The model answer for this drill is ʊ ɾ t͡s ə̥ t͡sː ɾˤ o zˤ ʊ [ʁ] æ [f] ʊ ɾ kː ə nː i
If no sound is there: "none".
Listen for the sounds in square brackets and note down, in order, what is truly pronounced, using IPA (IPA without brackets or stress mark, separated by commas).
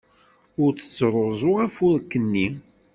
ʁ, f